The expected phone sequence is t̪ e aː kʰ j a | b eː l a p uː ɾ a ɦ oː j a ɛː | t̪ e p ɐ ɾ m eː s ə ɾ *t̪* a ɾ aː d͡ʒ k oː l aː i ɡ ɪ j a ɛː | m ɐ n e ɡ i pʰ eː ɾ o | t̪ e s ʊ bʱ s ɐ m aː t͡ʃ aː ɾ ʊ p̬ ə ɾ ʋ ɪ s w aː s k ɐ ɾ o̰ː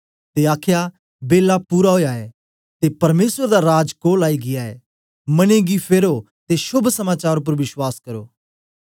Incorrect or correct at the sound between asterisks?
incorrect: d̪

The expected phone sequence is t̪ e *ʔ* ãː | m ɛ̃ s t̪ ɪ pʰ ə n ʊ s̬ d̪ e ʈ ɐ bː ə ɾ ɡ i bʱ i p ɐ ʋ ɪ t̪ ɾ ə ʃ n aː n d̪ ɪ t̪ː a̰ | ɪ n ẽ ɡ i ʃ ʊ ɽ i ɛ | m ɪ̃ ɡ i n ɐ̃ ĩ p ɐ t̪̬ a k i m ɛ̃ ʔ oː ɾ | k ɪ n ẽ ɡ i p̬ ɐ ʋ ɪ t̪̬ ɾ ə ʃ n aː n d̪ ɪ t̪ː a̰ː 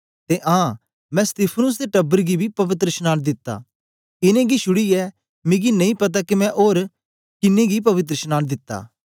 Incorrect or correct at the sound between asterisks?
correct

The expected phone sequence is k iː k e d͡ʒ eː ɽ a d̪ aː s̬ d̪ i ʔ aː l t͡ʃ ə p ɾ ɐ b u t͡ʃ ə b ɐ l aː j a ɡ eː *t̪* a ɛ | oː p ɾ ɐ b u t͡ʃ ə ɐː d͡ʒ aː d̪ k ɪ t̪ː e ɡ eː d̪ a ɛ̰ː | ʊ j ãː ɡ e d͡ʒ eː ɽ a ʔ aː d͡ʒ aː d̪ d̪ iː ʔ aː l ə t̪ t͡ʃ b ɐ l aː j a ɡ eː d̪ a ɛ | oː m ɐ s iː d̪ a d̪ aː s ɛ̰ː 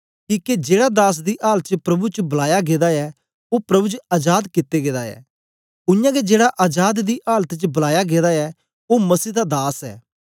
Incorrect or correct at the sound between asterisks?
incorrect: d̪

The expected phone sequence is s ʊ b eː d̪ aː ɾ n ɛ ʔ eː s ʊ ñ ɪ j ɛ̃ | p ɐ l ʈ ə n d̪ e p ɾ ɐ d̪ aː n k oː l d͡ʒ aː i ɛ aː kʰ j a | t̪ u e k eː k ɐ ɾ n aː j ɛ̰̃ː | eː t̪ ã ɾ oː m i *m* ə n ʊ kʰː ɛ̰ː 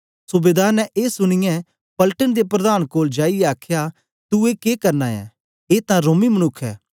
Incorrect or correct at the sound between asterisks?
correct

